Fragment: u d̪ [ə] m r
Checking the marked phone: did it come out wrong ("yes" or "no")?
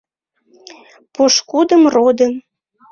no